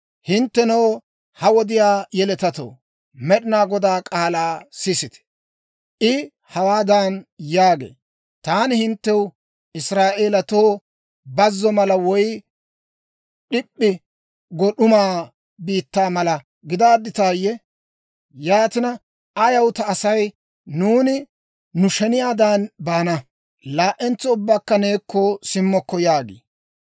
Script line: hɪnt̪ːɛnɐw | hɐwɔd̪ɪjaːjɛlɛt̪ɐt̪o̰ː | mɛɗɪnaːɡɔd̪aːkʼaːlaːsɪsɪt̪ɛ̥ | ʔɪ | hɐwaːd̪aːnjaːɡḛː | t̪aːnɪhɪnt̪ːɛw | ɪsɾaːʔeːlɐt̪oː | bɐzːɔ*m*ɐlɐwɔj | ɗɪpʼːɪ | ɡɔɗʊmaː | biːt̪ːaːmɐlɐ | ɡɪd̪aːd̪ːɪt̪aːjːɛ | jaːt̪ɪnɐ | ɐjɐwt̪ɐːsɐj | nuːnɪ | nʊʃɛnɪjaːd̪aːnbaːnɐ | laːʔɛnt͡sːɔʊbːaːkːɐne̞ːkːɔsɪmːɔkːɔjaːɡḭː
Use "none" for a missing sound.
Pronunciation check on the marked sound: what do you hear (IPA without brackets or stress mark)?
m